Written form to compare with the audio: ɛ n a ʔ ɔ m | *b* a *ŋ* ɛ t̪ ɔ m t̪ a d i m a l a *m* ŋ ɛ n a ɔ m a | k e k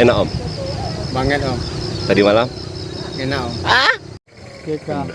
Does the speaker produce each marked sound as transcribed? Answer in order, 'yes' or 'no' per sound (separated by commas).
yes, yes, yes